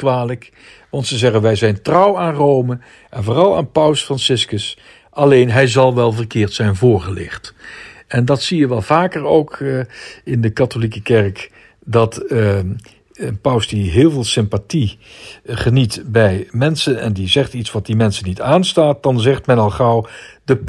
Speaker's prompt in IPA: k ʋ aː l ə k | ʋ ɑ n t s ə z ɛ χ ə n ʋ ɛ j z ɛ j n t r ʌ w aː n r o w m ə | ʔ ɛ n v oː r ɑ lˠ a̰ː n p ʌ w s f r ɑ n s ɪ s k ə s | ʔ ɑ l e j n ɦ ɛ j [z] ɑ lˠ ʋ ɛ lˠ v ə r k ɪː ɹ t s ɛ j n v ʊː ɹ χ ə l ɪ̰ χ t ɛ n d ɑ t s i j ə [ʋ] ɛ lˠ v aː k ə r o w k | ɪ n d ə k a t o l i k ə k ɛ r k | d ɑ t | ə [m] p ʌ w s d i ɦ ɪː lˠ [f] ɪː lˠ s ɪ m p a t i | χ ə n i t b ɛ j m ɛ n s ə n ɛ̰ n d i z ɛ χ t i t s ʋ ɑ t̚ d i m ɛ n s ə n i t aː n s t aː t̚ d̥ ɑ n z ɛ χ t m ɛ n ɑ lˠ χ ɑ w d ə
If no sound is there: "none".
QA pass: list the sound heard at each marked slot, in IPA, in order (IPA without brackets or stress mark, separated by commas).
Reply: z, ʋ, n, v